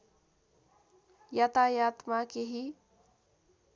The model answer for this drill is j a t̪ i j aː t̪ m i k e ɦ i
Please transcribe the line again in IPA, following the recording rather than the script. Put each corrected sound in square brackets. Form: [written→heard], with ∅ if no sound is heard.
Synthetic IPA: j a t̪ [i→a] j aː t̪ m [i→a] k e ɦ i